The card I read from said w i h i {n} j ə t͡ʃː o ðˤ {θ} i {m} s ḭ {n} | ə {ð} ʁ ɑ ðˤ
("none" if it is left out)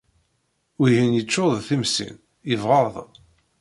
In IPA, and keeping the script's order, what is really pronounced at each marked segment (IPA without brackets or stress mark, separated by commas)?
n, θ, m, n, v